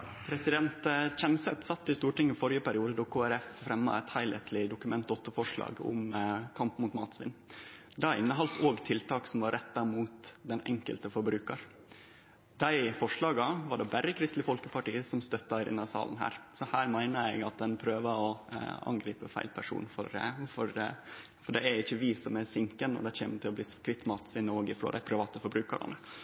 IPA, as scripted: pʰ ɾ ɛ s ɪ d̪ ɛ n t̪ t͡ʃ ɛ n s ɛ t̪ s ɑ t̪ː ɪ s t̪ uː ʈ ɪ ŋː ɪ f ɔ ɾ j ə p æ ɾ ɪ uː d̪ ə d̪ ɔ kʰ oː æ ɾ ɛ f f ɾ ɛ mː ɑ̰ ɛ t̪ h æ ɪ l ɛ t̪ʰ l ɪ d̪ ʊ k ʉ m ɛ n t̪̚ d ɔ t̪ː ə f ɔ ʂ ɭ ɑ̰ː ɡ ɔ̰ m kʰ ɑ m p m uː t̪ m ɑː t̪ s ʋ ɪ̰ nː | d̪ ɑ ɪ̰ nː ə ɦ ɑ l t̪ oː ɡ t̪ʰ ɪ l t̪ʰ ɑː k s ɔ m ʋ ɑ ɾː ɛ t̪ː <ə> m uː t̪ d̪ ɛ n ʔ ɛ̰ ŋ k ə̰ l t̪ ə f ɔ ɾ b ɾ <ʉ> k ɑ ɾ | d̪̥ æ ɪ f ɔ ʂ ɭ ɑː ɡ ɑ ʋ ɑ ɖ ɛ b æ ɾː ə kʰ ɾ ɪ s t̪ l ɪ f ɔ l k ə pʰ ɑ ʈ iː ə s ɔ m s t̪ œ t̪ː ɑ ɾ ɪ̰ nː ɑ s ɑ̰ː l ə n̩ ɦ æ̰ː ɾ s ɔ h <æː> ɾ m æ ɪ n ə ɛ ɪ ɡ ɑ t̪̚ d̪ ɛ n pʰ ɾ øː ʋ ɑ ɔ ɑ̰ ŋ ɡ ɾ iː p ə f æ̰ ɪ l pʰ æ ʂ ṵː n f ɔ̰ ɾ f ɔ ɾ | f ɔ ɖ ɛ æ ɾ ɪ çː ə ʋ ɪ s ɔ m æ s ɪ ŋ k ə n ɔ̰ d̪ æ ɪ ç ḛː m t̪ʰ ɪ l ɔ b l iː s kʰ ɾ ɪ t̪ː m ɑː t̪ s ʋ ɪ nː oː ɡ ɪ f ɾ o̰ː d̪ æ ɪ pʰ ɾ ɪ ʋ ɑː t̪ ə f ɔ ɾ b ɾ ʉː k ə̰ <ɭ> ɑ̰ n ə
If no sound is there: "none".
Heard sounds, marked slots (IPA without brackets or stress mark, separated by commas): ɑ, ʉː, æː, ɾ